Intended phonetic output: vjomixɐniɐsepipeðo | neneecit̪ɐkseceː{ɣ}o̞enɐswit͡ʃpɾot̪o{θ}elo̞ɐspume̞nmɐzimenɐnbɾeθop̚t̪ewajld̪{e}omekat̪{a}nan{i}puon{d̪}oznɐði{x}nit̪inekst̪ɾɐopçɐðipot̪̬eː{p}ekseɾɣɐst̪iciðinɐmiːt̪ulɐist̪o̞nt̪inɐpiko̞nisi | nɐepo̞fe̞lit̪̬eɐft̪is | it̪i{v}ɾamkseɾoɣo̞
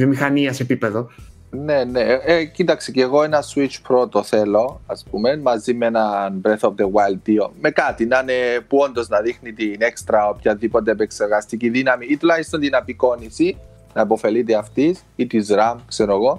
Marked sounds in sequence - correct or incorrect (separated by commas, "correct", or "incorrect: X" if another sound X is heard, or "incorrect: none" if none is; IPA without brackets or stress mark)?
correct, correct, incorrect: i, incorrect: i, incorrect: e, correct, correct, correct, incorrect: z